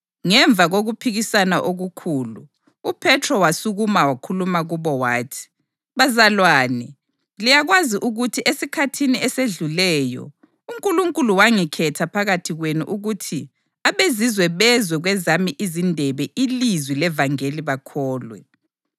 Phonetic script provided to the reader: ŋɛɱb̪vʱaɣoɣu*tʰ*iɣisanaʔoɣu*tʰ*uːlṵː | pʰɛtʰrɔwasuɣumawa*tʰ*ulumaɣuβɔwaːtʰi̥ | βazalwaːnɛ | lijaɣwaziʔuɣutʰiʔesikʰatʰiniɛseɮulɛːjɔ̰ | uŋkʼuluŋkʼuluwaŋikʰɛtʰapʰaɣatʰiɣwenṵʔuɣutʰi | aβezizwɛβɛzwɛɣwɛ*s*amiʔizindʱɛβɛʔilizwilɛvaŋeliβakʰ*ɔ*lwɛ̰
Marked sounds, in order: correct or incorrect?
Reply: incorrect: pʰ, incorrect: kʰ, incorrect: kʰ, incorrect: z, incorrect: ɔː

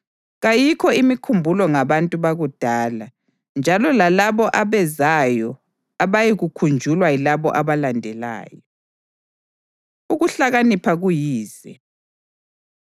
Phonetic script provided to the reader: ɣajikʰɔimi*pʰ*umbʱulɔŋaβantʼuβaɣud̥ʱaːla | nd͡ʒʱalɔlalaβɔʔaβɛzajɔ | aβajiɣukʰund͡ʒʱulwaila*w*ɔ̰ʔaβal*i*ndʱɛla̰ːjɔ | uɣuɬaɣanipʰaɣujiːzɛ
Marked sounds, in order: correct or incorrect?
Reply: incorrect: kʰ, incorrect: β, incorrect: a

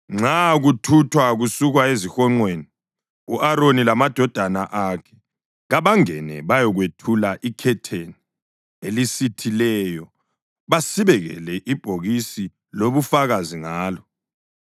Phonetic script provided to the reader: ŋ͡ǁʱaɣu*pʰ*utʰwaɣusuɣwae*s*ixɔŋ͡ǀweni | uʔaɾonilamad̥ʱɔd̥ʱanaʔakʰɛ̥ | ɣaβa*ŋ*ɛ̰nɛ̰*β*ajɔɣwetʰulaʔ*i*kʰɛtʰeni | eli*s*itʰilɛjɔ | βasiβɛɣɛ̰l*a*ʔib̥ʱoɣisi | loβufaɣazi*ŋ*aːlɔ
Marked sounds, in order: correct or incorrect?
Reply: incorrect: tʰ, incorrect: z, correct, correct, correct, correct, incorrect: ɛ, correct

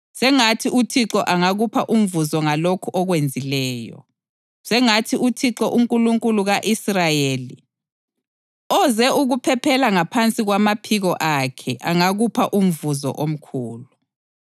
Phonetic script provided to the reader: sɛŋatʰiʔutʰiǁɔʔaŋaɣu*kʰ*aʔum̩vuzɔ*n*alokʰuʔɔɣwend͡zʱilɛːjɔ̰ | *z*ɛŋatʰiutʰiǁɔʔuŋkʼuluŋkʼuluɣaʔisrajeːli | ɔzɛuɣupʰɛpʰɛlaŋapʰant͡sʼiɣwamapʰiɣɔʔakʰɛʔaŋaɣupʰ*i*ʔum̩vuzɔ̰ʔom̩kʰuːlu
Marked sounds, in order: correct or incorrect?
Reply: incorrect: pʰ, incorrect: ŋ, incorrect: s, incorrect: a

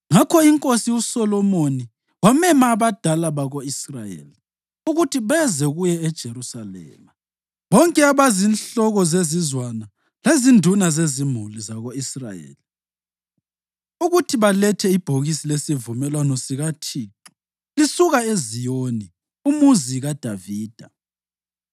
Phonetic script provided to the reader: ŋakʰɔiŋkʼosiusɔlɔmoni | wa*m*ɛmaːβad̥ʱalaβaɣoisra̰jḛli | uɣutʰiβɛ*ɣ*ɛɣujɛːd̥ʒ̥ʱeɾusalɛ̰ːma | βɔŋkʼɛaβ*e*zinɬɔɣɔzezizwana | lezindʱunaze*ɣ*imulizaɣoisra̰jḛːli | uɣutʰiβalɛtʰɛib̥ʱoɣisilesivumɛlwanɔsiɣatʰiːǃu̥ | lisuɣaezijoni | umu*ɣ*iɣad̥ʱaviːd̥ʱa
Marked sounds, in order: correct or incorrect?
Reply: correct, incorrect: z, incorrect: a, incorrect: z, incorrect: z

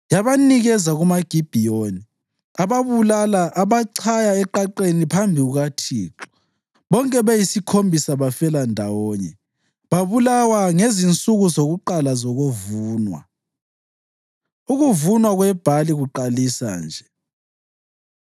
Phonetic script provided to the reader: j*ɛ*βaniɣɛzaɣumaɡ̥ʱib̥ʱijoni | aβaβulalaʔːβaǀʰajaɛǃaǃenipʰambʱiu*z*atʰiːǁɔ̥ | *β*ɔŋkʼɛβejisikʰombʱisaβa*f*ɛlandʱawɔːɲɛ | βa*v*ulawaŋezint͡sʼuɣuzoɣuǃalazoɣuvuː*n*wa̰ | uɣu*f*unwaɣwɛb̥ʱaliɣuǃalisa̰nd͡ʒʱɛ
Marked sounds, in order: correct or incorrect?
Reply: incorrect: a, incorrect: ɣ, correct, correct, incorrect: β, correct, incorrect: v

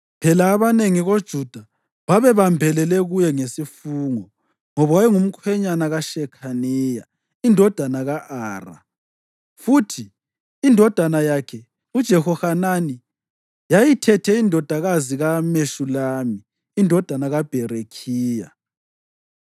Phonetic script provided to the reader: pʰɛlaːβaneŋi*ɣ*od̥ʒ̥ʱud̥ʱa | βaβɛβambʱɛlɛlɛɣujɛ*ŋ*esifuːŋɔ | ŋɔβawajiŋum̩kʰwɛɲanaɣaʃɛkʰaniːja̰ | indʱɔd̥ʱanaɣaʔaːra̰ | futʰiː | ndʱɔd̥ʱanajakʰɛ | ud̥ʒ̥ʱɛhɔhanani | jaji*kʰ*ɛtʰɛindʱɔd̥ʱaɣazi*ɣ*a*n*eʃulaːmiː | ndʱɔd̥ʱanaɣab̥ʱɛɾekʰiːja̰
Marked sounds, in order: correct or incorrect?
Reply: correct, correct, incorrect: tʰ, correct, incorrect: m

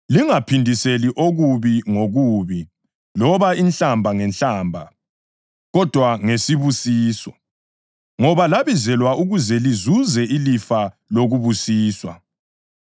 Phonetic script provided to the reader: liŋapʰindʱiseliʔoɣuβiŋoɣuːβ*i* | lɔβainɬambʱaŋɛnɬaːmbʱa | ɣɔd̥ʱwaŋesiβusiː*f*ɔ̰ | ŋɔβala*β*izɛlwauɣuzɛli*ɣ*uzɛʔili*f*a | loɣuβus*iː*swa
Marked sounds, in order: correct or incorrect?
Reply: correct, incorrect: s, correct, incorrect: z, correct, correct

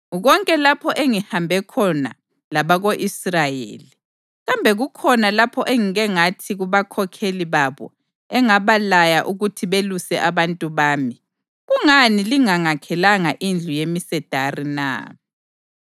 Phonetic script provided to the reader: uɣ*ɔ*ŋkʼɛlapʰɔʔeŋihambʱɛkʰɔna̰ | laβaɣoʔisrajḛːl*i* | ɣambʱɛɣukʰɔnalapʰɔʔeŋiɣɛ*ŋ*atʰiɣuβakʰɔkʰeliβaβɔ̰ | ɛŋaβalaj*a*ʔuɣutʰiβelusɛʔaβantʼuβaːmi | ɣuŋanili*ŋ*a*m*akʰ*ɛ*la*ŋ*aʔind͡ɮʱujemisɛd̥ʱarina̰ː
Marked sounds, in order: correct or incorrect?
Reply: correct, correct, correct, correct, correct, incorrect: ŋ, correct, correct

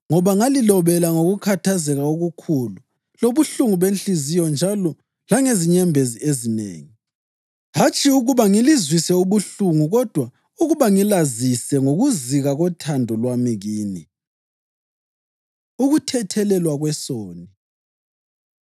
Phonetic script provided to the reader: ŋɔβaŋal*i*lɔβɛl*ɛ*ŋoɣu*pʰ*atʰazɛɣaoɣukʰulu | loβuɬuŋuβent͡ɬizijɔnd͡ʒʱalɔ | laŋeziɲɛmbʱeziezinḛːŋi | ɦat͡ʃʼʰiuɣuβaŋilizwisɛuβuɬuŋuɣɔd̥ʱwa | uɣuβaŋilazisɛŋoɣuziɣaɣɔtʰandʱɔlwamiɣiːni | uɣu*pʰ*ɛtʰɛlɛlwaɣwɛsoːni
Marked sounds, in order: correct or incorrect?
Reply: correct, incorrect: a, incorrect: kʰ, incorrect: tʰ

